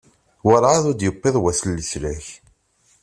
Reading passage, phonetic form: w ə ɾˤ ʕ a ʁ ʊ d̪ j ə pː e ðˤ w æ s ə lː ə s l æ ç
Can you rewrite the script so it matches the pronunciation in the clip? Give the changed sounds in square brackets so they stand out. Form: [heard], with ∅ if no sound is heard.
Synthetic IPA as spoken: w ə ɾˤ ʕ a [ð] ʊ d̪ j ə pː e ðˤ w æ s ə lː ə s l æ ç